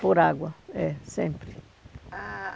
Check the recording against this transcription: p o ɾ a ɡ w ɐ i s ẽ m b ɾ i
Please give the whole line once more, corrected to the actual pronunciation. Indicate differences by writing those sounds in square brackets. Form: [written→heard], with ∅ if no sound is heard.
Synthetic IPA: p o ɾ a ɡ w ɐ [i→ɛ] s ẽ m [b→p] ɾ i